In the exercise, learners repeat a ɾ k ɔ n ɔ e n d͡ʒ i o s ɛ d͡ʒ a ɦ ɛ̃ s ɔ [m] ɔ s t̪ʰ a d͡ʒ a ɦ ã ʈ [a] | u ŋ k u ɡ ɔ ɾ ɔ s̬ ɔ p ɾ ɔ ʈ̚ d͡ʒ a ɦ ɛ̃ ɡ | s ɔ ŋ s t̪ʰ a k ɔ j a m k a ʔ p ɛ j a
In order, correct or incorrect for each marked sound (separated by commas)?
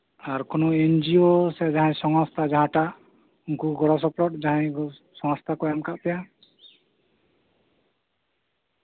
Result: incorrect, correct